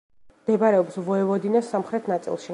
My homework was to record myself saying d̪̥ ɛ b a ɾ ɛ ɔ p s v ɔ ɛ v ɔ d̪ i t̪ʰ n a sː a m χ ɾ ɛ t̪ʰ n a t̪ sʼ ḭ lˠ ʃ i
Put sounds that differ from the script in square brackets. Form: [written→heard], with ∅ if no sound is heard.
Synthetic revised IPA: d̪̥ ɛ b a ɾ ɛ ɔ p s v ɔ ɛ v ɔ d̪ i [t̪ʰ→∅] n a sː a m χ ɾ ɛ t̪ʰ n a t̪ sʼ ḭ lˠ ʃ i